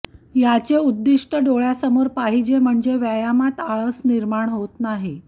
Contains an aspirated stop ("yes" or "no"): no